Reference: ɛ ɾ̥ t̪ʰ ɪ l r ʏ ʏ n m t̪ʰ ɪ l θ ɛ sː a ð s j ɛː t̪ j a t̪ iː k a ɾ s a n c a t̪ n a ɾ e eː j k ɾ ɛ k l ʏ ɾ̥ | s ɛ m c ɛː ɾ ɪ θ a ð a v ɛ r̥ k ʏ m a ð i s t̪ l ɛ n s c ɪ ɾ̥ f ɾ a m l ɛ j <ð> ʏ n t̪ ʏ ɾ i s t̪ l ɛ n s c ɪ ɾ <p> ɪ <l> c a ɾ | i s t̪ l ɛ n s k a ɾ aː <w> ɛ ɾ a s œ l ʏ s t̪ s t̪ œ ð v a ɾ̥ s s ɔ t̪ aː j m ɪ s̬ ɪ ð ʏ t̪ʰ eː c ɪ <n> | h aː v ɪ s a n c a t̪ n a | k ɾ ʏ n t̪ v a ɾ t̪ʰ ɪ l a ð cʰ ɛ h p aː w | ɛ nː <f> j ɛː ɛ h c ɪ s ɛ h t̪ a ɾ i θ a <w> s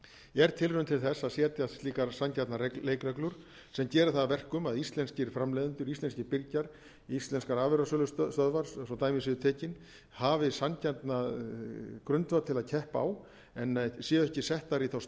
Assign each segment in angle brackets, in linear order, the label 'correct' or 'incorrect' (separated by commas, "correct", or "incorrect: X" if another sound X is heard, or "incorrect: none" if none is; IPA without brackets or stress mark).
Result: correct, correct, incorrect: ɾ, incorrect: v, correct, incorrect: s, correct